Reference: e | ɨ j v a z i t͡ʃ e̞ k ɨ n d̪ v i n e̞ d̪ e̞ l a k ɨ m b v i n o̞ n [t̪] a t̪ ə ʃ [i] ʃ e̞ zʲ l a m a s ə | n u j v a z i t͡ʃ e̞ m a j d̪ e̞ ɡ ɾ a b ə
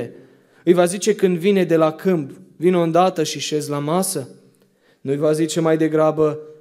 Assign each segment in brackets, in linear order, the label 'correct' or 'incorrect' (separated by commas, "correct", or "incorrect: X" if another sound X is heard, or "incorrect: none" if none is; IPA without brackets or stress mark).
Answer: incorrect: d̪, correct